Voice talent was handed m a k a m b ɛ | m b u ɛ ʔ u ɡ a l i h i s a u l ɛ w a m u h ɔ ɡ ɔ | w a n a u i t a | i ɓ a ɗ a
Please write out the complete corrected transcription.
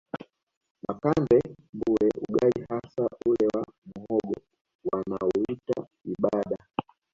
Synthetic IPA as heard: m a k a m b ɛ | m b u ɛ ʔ u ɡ a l i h a s a u l ɛ w a m u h ɔ ɡ ɔ | w a n a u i t a | i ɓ a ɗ a